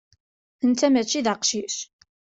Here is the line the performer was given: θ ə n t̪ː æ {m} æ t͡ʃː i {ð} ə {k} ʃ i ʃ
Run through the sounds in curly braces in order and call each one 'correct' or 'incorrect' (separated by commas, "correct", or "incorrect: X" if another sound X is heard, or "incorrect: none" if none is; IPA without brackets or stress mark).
correct, correct, incorrect: q